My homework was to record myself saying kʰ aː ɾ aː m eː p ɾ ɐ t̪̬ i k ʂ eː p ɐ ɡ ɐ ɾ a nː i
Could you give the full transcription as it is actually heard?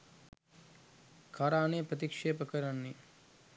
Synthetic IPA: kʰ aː ɾ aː n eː p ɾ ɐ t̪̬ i k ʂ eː p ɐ k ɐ ɾ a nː i